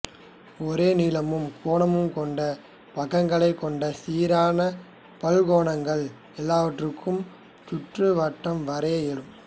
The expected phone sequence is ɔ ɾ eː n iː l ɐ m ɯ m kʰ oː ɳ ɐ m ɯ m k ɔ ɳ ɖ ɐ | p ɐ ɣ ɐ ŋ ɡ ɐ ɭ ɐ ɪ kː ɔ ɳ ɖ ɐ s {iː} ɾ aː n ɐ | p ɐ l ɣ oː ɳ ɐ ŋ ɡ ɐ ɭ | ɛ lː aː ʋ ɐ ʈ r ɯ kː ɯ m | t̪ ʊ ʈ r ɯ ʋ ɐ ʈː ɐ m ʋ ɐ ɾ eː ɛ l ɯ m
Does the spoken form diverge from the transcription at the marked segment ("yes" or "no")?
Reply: no